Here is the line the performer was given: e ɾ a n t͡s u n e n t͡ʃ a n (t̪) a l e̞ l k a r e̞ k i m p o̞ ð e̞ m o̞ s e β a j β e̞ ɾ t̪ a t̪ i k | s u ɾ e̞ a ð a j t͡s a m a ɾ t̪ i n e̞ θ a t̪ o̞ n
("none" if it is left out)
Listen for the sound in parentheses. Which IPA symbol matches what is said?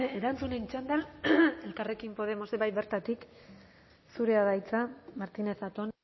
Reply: d̪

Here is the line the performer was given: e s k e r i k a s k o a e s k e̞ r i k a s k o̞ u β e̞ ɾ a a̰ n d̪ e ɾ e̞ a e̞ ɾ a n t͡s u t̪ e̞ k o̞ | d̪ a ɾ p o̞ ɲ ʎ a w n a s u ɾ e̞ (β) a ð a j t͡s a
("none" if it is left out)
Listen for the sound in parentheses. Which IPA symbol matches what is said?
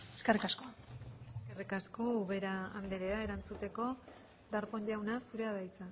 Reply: none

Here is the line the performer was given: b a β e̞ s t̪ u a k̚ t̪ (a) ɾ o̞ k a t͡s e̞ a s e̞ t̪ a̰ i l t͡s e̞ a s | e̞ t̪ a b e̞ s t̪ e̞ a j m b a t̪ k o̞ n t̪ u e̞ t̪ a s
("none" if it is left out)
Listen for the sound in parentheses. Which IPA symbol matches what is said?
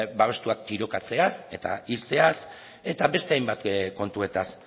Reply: i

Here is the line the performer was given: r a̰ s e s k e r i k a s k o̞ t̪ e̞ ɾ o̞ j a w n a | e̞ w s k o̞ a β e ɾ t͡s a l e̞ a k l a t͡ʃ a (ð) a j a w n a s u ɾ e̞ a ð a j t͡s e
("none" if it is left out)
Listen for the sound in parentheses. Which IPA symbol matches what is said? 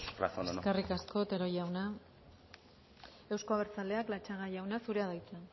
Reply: ɣ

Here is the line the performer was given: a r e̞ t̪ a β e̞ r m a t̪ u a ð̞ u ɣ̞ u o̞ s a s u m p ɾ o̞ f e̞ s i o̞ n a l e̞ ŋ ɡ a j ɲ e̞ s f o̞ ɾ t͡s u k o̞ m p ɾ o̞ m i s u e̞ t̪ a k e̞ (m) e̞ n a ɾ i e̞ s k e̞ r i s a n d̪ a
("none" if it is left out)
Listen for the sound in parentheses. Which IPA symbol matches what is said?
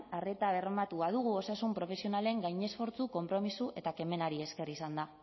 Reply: m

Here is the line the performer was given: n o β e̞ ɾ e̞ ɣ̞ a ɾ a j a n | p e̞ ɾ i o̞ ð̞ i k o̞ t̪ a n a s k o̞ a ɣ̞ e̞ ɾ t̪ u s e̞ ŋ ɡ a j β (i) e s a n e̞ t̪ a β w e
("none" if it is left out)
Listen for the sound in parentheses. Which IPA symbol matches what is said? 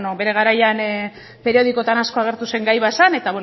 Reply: a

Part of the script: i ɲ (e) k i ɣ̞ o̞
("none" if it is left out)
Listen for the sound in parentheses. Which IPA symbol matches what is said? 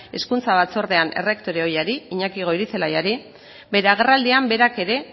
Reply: a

